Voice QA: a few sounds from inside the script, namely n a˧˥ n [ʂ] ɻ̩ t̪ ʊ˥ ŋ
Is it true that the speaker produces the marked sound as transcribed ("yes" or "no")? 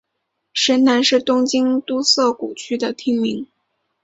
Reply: yes